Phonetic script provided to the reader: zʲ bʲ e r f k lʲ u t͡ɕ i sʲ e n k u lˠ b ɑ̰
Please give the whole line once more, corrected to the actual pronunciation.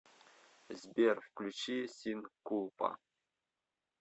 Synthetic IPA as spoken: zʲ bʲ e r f k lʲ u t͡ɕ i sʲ i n k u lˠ p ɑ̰